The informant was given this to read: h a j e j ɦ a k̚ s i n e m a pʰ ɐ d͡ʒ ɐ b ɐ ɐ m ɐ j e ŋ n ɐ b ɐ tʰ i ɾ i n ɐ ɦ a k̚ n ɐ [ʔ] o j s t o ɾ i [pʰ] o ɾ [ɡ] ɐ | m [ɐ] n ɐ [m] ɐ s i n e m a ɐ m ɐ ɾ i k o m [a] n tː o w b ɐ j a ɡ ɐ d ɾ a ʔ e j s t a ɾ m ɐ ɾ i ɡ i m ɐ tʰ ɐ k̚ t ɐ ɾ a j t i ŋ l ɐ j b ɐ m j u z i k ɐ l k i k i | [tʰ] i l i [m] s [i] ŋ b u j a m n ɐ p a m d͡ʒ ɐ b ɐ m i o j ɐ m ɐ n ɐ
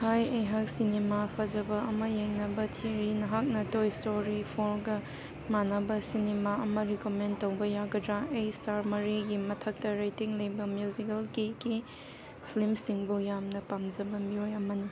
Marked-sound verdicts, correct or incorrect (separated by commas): incorrect, correct, correct, incorrect, incorrect, incorrect, incorrect, correct, correct